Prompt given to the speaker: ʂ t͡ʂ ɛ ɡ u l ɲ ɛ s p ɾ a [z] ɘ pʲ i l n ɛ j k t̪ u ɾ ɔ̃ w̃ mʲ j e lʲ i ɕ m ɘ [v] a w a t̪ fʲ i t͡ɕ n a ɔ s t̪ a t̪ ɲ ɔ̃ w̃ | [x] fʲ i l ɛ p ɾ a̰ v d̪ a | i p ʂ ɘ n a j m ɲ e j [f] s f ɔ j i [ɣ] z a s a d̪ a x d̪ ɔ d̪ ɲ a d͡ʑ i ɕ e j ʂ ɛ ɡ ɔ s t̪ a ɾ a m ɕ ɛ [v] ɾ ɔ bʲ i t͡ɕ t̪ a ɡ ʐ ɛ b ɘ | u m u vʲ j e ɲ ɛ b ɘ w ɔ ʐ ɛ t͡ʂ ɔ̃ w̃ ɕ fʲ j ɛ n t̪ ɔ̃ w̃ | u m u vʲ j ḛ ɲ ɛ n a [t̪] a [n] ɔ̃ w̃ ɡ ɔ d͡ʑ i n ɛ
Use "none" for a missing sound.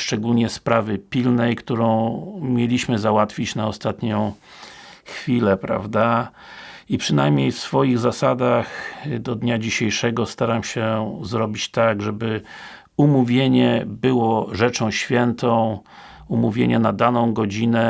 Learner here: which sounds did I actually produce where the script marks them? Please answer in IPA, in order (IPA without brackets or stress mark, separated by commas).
v, z, x, f, ɣ, z, d̪, n